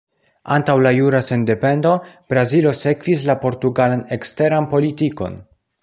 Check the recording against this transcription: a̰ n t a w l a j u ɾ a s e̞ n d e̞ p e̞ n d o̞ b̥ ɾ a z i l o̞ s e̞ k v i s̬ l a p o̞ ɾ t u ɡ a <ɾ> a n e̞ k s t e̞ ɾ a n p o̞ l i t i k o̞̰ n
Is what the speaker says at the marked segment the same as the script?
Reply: no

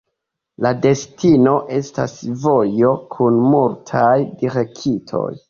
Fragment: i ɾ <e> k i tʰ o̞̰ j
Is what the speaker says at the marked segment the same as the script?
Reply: yes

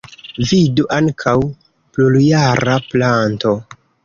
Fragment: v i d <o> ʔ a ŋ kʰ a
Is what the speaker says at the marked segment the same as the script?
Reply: no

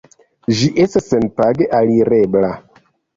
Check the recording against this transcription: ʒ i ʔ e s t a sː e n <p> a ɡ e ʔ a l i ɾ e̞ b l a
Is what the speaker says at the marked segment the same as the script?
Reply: yes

